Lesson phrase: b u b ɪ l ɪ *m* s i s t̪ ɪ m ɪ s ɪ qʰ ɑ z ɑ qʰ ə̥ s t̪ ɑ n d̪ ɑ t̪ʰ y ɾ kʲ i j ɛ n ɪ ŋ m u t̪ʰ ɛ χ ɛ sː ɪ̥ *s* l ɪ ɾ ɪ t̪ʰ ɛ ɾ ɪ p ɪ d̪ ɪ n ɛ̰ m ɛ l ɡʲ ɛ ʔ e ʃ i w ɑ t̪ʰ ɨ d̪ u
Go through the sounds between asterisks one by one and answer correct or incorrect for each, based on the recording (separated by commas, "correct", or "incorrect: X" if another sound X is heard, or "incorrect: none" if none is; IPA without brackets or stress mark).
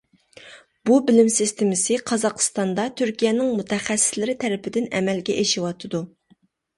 correct, correct